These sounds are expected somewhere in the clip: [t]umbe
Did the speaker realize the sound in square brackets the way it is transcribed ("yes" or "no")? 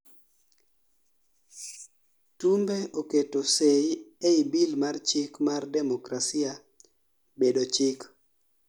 yes